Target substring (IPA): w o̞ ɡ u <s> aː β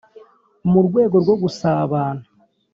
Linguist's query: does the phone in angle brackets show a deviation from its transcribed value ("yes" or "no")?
no